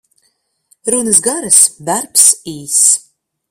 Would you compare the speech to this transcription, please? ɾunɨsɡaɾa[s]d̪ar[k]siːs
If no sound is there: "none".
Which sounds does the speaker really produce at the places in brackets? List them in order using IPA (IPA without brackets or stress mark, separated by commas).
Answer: s, p